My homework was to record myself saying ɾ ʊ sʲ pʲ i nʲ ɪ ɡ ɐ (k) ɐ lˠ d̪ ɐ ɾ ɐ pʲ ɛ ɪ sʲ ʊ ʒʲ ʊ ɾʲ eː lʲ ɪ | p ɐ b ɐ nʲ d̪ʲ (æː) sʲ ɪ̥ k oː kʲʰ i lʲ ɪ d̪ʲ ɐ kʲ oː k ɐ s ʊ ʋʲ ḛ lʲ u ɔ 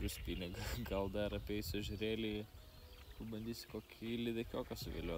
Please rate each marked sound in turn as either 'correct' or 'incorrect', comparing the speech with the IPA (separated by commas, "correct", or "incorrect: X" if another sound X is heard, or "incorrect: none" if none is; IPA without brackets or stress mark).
incorrect: ɡ, incorrect: iː